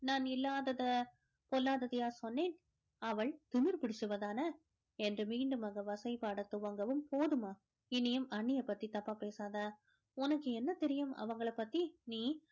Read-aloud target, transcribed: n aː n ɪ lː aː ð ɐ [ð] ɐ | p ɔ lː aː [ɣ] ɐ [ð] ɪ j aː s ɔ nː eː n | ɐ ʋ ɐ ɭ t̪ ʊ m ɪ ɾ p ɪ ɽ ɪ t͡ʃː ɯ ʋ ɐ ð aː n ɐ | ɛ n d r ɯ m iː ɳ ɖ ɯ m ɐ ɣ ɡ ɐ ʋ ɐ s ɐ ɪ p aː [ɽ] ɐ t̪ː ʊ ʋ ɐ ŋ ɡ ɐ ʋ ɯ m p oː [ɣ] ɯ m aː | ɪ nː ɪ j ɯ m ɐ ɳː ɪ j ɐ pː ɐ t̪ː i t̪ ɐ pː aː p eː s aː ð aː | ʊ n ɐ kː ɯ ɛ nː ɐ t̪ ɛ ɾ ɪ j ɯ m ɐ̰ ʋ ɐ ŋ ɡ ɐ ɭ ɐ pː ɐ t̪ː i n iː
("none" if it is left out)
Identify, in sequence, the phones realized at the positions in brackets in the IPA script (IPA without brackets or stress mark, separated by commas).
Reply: ð, ð, ð, ɽ, ð